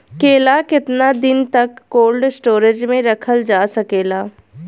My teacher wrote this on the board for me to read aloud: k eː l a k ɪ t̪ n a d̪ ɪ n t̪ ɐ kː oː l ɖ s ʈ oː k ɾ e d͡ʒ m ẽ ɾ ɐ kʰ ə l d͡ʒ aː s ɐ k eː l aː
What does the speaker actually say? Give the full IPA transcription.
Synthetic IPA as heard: k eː l a k ɪ t̪ n a d̪ ɪ n t̪ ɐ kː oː l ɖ s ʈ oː ɾ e d͡ʒ m ẽ ɾ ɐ kʰ ə l d͡ʒ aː s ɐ k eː l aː